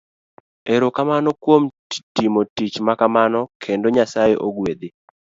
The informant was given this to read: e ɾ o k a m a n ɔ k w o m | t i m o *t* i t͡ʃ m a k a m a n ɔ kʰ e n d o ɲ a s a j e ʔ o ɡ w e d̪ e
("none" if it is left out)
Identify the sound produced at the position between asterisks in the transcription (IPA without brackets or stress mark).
t